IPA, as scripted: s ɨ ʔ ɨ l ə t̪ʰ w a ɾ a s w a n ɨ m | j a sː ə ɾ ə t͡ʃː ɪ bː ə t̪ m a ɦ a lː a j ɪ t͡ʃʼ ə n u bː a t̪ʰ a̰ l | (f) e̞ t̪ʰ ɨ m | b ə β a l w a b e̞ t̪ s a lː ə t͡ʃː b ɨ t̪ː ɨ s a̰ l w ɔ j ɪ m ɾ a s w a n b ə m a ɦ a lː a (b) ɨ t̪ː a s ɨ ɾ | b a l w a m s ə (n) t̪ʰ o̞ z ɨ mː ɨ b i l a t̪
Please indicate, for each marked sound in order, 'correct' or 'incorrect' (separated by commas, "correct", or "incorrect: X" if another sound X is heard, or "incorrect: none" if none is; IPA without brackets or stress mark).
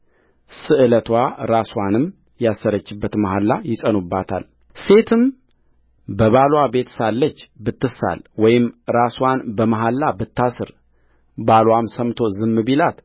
incorrect: s, correct, incorrect: m